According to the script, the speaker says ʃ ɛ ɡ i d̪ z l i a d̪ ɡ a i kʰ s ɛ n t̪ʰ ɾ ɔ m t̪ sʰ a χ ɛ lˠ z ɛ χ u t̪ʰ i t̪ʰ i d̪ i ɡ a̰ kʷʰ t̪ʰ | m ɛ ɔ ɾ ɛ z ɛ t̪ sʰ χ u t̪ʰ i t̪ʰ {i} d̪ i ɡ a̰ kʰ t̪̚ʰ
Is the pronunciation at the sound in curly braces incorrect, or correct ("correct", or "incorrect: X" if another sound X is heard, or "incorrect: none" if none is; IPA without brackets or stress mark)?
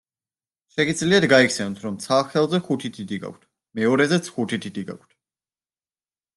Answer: correct